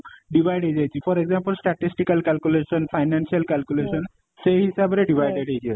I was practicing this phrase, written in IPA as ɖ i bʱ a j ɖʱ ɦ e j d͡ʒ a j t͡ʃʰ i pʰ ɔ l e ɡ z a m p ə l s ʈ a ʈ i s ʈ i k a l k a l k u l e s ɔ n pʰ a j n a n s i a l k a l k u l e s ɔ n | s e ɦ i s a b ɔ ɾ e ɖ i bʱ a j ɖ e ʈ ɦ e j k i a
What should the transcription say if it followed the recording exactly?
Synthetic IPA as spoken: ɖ i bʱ a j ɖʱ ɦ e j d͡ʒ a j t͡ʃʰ i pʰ ɔ ɾ e ɡ z a m p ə l s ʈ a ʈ i s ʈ i k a l k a l k u l e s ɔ n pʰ a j n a n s i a l k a l k u l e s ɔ n | s e ɦ i s a b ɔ ɾ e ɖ i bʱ a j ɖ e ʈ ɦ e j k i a